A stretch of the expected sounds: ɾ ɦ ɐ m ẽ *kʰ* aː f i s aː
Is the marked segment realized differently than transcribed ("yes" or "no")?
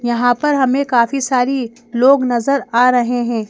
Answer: yes